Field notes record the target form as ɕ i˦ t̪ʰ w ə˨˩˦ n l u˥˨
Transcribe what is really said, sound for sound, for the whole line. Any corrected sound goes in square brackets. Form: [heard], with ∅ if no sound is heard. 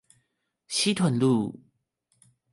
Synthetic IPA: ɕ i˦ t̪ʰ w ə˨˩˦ n l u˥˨